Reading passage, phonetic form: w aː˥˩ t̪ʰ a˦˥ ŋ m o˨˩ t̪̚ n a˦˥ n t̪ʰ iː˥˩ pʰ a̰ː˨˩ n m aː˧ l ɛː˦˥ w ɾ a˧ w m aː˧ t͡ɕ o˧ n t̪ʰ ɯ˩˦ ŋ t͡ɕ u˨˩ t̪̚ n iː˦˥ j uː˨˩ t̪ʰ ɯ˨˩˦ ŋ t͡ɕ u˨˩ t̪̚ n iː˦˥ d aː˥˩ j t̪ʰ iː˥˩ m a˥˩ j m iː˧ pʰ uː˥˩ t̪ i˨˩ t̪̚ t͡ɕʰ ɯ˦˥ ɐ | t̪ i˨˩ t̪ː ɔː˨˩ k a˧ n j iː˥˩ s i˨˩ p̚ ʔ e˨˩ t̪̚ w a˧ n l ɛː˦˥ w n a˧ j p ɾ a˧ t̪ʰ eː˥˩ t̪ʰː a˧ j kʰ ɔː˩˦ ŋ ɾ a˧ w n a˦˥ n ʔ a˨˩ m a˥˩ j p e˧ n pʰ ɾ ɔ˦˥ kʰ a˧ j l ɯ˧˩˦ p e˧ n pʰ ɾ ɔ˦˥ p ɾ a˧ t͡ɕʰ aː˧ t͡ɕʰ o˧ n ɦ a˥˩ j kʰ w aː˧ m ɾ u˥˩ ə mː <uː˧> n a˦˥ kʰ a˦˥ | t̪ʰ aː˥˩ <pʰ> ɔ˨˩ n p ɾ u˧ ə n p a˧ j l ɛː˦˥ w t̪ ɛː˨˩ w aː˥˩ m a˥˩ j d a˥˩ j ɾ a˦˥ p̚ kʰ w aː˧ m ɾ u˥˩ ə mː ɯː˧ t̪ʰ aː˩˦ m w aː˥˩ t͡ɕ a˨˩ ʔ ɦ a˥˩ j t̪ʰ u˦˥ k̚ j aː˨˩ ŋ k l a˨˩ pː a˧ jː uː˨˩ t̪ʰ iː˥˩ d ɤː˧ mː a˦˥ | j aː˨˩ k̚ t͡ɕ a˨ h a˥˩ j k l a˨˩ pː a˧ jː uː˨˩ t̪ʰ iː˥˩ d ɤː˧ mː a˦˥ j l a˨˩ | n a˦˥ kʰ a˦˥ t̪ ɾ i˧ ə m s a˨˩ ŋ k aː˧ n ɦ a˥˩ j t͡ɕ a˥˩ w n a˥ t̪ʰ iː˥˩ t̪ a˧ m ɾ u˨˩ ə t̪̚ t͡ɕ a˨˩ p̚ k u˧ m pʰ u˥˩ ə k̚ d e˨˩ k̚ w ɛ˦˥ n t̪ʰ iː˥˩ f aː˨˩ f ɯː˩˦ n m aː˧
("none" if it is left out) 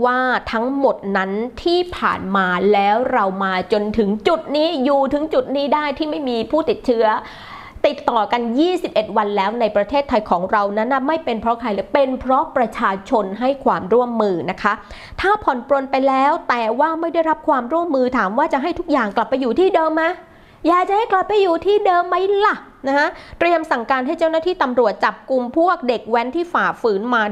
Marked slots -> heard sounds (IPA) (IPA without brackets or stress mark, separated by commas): ɯː˧, pʰ